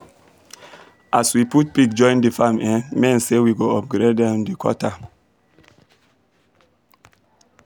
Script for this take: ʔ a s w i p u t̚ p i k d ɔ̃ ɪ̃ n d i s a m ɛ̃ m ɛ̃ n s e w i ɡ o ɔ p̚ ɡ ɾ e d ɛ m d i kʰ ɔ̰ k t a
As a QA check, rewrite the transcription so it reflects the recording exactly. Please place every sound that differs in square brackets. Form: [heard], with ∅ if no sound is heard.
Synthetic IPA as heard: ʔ a s w i p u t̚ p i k [d͡ʒ] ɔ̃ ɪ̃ n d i [f] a m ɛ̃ m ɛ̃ n s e w i ɡ o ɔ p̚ ɡ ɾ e d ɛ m d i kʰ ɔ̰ [∅] t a